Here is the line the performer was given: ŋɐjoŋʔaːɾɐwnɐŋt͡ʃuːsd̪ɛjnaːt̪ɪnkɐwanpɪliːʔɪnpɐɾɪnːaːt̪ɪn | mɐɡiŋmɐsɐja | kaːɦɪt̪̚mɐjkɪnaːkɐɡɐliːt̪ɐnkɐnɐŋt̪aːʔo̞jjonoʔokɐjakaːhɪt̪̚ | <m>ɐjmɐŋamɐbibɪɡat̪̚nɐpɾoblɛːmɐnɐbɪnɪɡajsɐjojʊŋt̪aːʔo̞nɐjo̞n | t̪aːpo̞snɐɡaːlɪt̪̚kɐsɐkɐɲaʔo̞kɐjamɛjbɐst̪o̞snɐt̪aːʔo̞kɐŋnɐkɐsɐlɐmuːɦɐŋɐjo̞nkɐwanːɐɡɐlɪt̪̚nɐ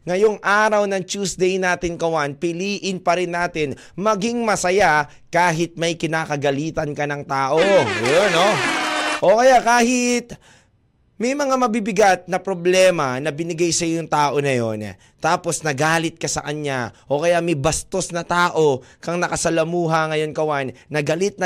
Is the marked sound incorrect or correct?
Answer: correct